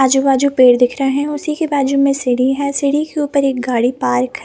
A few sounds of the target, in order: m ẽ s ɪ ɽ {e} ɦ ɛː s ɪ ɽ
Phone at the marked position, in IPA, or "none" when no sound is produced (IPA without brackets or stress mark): i